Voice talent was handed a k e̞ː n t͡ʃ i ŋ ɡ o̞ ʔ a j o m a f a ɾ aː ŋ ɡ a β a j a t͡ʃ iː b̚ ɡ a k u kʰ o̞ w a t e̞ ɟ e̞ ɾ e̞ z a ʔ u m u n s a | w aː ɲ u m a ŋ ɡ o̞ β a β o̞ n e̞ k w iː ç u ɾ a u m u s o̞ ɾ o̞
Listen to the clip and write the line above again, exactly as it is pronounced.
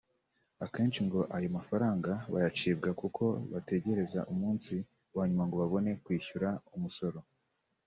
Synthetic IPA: a k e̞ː n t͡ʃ i ŋ ɡ o̞ ʔ a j o m a f a ɾ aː ŋ ɡ a β a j a t͡ʃ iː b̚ ɡ a k u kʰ o̞ β a t e̞ ɟ e̞ ɾ e̞ z a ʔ u m uː n s i | w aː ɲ u m a ŋ ɡ o̞ β a β o̞ n e̞ k w iː ç u ɾ a u m u s o̞ ɾ o̞